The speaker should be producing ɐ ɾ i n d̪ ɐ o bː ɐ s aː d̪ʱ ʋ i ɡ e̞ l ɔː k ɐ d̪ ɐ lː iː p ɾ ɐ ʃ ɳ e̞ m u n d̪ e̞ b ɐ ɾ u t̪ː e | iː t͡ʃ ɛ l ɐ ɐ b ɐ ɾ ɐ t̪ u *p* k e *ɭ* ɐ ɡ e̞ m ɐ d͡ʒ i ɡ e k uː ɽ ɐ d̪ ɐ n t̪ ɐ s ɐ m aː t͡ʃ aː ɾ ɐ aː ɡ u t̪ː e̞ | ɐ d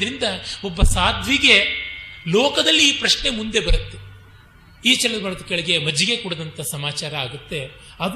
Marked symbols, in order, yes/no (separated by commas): no, yes